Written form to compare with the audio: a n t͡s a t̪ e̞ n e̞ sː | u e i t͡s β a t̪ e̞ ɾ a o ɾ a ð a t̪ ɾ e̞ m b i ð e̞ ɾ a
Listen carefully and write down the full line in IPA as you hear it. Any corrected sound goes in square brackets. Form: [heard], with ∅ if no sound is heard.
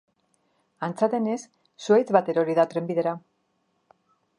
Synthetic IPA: a n t͡s a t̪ e̞ n e̞ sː | u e [j] t͡s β a t̪ e̞ ɾ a o ɾ [i] ð a t̪ ɾ e̞ m b i ð e̞ ɾ a